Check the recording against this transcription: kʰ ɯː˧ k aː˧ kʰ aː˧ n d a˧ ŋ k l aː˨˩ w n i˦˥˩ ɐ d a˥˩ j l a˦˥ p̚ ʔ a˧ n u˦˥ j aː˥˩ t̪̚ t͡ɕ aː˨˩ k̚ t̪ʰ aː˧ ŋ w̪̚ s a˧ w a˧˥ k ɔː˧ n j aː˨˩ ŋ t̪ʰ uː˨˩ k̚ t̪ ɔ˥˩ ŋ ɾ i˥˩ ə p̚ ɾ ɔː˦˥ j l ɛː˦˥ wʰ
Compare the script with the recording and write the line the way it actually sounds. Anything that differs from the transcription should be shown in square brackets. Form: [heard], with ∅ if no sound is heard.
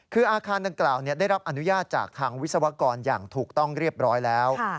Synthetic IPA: kʰ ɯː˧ [ʔ] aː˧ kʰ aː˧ n d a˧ ŋ k l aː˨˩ w n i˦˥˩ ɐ d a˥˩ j [ɾ] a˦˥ p̚ ʔ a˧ n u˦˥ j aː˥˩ t̪̚ t͡ɕ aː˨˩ k̚ t̪ʰ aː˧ ŋ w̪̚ s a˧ w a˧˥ k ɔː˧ n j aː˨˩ ŋ t̪ʰ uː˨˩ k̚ t̪ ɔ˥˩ ŋ ɾ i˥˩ ə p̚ ɾ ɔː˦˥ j l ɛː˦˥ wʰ